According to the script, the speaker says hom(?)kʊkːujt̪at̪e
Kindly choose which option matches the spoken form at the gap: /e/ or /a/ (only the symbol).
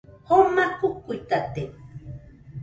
a